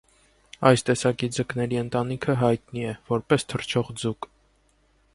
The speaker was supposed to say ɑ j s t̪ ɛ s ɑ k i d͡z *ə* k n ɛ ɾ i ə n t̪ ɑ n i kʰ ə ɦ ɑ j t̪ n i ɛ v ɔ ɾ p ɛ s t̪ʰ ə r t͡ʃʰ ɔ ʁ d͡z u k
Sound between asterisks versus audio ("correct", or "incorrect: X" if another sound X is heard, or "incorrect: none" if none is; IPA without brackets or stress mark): correct